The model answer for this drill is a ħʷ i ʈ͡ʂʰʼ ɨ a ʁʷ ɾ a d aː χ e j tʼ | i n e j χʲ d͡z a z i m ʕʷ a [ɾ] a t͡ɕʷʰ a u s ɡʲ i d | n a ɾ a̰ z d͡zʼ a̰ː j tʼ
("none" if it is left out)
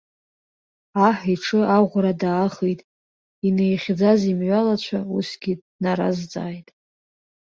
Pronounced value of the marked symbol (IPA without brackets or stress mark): l